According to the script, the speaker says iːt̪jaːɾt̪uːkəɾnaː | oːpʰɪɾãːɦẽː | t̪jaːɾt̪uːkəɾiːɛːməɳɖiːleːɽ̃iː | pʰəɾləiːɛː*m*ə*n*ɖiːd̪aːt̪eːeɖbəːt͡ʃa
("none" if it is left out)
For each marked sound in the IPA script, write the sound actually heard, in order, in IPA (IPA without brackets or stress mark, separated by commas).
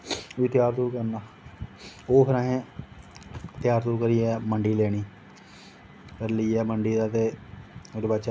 m, ɳ